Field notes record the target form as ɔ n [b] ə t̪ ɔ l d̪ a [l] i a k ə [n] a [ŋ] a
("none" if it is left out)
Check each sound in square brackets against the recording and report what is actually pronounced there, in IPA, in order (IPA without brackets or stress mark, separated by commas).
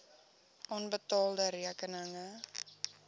b, ɾ, n, ŋ